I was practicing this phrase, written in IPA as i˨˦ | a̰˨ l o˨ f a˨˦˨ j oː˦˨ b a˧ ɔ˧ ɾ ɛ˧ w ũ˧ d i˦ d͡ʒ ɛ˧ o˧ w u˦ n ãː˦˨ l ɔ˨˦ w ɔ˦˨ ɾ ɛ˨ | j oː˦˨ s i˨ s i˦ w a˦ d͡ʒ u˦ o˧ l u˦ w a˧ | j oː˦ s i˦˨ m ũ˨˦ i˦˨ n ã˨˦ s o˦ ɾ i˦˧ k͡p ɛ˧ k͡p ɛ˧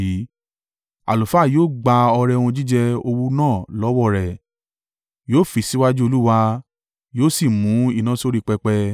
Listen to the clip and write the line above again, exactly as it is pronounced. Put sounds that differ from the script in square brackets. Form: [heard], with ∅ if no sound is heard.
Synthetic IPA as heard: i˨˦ | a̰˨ l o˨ f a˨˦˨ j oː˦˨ [ɡ͡b] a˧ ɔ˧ ɾ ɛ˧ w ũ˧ [d͡ʒ] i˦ d͡ʒ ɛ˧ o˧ w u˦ n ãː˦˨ l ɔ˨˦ w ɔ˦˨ ɾ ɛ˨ | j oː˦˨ [f] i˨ s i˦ w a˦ d͡ʒ u˦ o˧ l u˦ w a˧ | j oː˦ s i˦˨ m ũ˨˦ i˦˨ n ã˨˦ s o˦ ɾ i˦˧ k͡p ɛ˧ k͡p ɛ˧

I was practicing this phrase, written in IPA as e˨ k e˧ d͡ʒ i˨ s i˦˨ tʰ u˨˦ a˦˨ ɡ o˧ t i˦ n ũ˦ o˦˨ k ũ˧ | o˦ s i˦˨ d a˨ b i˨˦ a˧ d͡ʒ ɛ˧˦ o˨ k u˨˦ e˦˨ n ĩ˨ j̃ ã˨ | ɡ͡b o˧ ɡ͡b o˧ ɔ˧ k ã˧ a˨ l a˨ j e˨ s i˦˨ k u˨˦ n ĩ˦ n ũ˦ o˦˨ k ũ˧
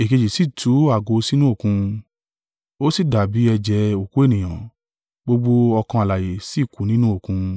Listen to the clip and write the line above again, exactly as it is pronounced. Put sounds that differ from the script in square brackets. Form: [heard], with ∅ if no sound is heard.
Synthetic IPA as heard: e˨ k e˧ d͡ʒ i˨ s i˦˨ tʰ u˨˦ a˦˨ ɡ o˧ [s] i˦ n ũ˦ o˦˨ k ũ˧ | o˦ s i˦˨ d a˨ b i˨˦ [ɛ˧] d͡ʒ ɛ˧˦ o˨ k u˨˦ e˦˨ n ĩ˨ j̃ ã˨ | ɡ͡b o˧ ɡ͡b o˧ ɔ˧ k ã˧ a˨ l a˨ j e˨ s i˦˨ k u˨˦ n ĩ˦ n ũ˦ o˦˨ k ũ˧

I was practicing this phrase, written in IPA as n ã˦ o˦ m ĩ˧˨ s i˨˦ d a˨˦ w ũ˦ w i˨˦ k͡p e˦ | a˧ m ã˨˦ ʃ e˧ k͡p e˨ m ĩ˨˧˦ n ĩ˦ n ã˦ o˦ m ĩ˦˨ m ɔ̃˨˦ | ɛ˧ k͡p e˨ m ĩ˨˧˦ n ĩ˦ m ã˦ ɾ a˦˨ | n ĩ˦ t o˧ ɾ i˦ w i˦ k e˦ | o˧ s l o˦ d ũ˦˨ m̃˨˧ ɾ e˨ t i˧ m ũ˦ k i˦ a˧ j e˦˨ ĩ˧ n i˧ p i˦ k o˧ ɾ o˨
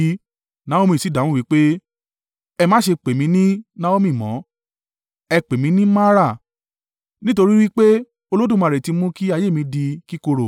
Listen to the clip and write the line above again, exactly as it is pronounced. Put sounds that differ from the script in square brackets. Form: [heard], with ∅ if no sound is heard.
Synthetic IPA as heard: n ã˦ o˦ m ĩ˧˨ s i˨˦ d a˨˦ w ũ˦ w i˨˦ k͡p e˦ | [ɛ˧] m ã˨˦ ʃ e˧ k͡p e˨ m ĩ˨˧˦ n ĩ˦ n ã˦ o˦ m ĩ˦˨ m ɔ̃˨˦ | ɛ˧ k͡p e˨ m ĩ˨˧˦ n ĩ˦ m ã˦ ɾ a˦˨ | n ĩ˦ t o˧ ɾ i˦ w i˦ [k͡p] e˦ | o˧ [∅] l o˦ d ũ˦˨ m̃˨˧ ɾ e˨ t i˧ m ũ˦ k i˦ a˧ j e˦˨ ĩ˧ [d] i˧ [k] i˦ k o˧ ɾ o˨

